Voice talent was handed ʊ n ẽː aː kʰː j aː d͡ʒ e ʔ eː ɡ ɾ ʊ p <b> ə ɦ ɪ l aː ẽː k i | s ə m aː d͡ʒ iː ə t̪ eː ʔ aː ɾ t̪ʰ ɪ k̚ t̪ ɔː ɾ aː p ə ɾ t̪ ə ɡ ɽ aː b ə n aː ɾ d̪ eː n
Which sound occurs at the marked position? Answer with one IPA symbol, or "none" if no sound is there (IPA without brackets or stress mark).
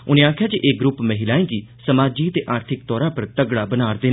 m